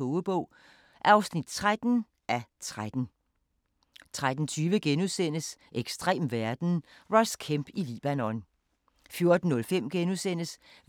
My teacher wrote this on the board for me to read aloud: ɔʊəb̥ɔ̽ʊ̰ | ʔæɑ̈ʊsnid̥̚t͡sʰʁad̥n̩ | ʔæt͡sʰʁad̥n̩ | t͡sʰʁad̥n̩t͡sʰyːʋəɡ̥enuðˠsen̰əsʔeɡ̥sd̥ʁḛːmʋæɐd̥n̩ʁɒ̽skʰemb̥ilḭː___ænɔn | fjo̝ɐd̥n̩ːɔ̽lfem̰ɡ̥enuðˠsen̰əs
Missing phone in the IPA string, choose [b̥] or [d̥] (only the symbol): b̥